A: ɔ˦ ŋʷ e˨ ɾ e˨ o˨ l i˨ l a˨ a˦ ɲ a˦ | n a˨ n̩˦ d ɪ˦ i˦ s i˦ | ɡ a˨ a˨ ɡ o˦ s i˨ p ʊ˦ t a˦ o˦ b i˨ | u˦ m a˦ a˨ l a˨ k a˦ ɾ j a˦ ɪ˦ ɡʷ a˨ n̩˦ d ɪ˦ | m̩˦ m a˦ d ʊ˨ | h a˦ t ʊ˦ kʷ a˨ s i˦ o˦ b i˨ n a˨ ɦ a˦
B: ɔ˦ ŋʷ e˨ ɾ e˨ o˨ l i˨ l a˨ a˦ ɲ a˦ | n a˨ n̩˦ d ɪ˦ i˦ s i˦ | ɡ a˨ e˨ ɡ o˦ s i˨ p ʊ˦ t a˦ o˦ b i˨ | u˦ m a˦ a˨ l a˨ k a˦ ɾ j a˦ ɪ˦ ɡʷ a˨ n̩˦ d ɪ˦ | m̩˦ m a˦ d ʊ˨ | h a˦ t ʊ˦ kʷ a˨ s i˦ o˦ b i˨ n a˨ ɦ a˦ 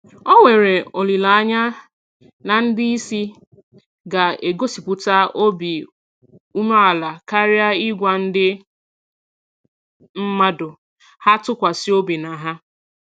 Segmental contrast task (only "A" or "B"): B